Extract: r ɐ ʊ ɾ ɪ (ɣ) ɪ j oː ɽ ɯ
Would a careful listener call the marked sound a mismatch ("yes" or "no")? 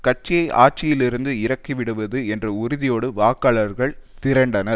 yes